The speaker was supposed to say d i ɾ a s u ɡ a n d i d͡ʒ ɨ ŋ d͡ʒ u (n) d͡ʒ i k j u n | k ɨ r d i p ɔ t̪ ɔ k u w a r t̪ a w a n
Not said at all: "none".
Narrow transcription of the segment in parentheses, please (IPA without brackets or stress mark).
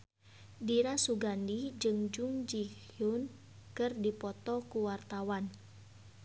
ŋ